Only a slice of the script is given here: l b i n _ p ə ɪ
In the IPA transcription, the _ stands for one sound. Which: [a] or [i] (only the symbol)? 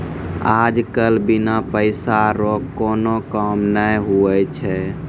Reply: a